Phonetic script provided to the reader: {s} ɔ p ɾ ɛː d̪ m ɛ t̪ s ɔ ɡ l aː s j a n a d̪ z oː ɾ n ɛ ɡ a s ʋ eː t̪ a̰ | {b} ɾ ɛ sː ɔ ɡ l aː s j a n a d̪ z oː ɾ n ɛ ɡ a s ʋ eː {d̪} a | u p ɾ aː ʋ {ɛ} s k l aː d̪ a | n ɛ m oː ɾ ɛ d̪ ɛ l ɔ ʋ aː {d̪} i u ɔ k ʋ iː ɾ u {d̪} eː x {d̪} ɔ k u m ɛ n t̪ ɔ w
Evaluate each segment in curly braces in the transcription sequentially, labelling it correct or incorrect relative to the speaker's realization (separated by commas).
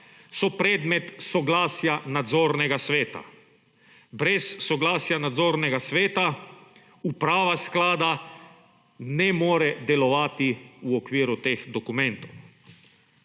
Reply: correct, correct, incorrect, incorrect, incorrect, incorrect, correct